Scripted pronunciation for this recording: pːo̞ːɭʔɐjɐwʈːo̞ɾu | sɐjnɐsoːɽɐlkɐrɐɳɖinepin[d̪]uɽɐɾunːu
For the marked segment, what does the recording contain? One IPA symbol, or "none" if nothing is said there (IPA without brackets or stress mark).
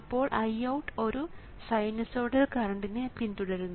t̪